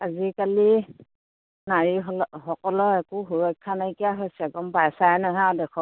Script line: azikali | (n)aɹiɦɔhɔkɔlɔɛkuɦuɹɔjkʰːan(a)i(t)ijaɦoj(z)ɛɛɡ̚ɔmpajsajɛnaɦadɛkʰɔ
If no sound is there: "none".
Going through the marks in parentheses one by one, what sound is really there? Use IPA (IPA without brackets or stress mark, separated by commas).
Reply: n, a, k, s